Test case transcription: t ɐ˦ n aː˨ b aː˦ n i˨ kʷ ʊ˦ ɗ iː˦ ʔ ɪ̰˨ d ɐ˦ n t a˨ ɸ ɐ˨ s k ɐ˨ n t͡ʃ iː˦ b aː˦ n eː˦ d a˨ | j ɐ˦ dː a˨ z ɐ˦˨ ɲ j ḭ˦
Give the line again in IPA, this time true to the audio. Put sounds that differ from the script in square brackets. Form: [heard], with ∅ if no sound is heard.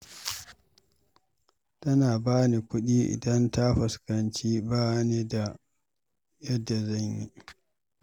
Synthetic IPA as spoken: t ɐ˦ n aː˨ b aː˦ n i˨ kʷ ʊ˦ ɗ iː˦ ʔ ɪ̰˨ d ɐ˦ n t [a˦] ɸ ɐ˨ s k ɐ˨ n t͡ʃ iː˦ b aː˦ n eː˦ d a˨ | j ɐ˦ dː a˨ z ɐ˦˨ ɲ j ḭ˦

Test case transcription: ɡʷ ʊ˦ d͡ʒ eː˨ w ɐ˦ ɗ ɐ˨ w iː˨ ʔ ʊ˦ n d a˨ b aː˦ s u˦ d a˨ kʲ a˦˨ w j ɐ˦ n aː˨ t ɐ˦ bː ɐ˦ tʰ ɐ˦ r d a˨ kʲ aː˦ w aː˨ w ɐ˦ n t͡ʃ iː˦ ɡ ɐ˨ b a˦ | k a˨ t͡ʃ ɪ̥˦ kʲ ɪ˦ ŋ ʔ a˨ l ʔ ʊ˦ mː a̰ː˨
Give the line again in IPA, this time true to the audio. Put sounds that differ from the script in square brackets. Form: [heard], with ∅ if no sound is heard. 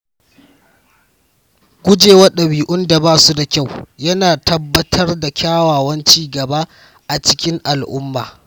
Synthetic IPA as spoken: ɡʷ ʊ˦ d͡ʒ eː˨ w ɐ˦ ɗ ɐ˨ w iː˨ ʔ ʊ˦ n d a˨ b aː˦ s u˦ d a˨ kʲ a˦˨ w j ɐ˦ n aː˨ t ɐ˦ bː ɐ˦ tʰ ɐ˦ r d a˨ kʲ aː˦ w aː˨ w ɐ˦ n t͡ʃ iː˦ ɡ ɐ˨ b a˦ | [ʔ] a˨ t͡ʃ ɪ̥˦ kʲ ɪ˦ ŋ ʔ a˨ l ʔ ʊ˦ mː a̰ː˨

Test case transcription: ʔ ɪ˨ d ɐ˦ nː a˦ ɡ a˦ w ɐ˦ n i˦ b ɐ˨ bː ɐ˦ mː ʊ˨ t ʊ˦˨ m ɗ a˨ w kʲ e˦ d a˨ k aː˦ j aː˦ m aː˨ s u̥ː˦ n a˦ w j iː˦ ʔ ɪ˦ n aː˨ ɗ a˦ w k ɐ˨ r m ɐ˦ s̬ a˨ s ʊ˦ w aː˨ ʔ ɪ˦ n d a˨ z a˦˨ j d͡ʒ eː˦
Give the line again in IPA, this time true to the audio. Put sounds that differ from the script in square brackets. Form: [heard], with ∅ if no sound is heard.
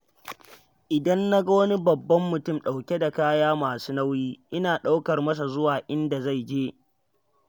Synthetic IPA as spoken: ʔ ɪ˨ d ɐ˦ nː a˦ ɡ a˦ w ɐ˦ n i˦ b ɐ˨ bː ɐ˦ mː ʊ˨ t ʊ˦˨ m ɗ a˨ w kʲ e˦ d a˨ k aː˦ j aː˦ m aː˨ s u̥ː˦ n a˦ w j iː˦ ʔ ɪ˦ n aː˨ ɗ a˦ w k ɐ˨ r m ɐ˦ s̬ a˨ [z] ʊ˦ w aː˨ ʔ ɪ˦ n d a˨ z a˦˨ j d͡ʒ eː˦

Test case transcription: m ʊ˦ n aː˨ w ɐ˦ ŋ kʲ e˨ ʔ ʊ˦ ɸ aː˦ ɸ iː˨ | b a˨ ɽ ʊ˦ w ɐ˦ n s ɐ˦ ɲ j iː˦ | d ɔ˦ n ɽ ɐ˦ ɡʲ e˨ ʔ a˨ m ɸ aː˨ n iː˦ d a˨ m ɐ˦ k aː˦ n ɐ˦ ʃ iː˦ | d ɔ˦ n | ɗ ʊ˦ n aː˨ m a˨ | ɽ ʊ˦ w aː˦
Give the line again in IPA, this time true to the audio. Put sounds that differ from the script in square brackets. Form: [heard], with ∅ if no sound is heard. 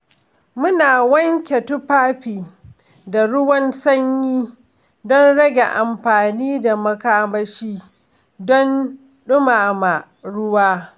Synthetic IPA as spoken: m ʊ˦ n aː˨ w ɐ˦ ŋ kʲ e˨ [t] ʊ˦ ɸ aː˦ ɸ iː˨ | [d] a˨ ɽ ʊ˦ w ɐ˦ n s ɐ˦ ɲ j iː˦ | d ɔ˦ n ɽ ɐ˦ ɡʲ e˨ ʔ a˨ m ɸ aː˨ n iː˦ d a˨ m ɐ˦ k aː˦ [m] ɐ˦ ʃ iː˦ | d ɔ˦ n | ɗ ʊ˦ [m] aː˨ m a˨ | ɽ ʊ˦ w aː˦

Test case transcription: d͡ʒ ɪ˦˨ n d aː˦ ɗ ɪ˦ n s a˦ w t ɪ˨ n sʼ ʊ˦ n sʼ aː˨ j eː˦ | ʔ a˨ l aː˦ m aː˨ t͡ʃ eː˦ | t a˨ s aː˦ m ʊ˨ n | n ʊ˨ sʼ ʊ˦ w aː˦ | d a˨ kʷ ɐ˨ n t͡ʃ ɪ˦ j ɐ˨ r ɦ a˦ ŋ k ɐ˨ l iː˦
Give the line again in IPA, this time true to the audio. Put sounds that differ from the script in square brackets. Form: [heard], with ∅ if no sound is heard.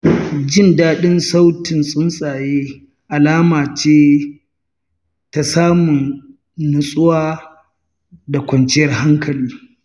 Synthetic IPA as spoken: d͡ʒ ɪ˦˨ n d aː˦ ɗ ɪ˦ n s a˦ w t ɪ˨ n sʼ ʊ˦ n sʼ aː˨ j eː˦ | ʔ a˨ l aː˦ m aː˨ t͡ʃ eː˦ | t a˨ s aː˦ m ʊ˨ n | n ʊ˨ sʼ ʊ˦ w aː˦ | d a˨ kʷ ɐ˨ n t͡ʃ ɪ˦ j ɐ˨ r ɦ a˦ ŋ k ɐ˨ l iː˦

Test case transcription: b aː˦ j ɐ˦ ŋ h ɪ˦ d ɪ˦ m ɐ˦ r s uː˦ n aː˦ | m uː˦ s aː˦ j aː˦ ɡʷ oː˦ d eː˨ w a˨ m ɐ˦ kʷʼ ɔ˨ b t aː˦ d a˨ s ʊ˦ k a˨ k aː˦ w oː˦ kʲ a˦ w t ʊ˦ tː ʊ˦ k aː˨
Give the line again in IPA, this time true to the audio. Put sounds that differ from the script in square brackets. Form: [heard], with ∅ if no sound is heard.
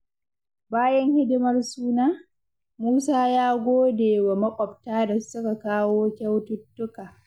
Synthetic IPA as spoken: b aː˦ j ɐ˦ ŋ h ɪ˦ d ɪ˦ m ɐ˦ r s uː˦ n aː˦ | m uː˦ s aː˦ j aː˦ ɡʷ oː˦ d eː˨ w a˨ m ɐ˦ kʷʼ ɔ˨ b t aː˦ d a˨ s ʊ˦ k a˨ k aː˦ w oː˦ kʲ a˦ w t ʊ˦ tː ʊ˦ k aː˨

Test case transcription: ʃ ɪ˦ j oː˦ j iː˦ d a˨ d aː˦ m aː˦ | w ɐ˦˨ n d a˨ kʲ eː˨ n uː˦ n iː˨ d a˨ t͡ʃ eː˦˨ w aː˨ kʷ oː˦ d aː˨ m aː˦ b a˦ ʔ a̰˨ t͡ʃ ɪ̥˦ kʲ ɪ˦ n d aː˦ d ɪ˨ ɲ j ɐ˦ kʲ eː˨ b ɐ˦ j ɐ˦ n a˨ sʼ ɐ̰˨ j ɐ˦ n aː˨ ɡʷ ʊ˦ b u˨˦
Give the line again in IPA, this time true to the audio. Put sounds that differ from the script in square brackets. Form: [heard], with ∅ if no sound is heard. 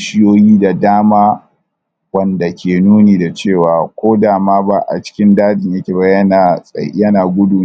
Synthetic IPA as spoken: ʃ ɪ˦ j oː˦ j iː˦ d a˨ d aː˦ m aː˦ | w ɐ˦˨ n d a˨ kʲ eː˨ n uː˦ n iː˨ d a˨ t͡ʃ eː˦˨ w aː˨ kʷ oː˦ d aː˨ m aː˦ b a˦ ʔ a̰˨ t͡ʃ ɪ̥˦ kʲ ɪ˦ n d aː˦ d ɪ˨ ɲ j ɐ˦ kʲ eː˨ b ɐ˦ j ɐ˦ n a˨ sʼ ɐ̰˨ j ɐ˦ n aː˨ ɡʷ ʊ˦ [d] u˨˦

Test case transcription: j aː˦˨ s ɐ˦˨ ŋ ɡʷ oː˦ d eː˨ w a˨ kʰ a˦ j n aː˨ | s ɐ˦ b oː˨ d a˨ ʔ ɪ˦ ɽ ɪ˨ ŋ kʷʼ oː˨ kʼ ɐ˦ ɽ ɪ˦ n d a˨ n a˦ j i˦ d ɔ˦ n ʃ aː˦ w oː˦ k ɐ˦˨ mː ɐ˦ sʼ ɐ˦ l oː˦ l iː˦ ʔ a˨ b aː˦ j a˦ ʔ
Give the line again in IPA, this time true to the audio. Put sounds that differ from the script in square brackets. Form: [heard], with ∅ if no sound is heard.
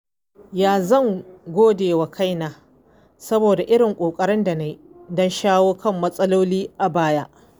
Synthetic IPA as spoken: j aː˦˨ [z] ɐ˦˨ ŋ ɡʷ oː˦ d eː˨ w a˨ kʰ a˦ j n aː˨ | s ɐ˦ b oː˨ d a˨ ʔ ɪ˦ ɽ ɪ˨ ŋ kʷʼ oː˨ kʼ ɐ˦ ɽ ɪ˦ n d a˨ n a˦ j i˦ d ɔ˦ n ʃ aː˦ w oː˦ k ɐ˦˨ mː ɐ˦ sʼ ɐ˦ l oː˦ l iː˦ ʔ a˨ b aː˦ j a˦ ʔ

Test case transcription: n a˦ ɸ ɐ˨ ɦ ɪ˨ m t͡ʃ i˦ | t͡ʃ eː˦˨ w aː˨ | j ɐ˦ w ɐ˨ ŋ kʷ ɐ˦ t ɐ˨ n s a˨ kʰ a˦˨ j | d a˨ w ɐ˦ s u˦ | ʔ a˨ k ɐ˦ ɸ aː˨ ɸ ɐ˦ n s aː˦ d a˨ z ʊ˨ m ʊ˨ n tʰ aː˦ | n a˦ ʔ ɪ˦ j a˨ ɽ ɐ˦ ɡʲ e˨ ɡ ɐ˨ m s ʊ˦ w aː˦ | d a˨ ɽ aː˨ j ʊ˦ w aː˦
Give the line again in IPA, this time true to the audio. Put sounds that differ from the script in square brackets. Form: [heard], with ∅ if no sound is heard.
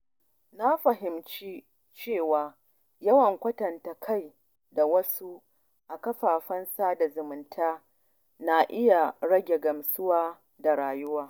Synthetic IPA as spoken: n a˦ ɸ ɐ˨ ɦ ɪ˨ m t͡ʃ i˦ | t͡ʃ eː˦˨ w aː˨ | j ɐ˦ w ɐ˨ ŋ kʷ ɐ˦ t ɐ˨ n [t] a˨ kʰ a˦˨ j | d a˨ w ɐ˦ s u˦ | ʔ a˨ k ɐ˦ ɸ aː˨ ɸ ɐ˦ n s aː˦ d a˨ z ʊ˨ m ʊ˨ n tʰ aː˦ | n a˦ ʔ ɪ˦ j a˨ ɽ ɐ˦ ɡʲ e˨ ɡ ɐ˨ m s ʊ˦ w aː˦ | d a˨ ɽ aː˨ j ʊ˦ w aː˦

